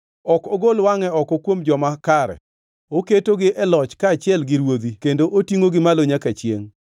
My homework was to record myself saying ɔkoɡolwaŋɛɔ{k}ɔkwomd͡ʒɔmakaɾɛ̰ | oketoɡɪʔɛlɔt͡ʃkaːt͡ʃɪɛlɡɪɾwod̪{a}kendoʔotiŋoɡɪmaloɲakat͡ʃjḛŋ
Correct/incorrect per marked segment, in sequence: correct, incorrect: i

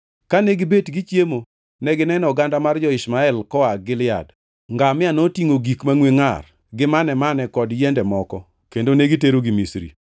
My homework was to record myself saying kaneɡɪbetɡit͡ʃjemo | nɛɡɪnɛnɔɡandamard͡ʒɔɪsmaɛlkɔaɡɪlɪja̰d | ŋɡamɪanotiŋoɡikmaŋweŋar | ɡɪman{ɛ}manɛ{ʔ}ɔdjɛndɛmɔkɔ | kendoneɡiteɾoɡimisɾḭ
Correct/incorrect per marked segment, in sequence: correct, incorrect: k

